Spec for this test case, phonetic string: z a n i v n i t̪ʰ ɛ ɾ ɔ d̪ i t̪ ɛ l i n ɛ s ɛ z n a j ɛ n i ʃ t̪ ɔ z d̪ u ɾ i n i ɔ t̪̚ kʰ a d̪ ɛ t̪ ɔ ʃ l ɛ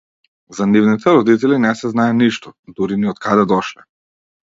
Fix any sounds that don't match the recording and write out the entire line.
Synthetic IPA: z a n i v n i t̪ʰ ɛ ɾ ɔ d̪ i t̪ ɛ l i n ɛ s ɛ z n a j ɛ n i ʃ t̪ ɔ d̪ u ɾ i n i ɔ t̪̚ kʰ a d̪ ɛ d̪ ɔ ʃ l ɛ